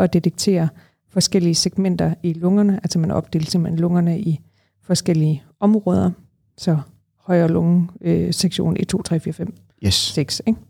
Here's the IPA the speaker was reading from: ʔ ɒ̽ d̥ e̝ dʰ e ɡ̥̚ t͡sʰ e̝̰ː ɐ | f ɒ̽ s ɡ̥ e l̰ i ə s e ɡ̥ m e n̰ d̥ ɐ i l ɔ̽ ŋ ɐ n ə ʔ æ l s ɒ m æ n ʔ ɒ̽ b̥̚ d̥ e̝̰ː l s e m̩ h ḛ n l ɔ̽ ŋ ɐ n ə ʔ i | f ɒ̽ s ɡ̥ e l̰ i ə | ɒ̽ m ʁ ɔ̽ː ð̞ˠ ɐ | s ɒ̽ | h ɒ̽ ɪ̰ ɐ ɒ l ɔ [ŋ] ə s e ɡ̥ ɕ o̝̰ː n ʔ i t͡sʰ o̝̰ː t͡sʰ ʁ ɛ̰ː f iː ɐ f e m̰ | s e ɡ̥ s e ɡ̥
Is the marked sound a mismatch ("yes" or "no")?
no